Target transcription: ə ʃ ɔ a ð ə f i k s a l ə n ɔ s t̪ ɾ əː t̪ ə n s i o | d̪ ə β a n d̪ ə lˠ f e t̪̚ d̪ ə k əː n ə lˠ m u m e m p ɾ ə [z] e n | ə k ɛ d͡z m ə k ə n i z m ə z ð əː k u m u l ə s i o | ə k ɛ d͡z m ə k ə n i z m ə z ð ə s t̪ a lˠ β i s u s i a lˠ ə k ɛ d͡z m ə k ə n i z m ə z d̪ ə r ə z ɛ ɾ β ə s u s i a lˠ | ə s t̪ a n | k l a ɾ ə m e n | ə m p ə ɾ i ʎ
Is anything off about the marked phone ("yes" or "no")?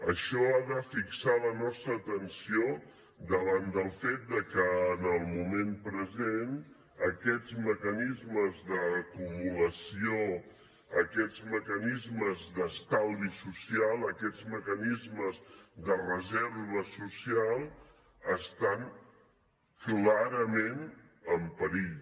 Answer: no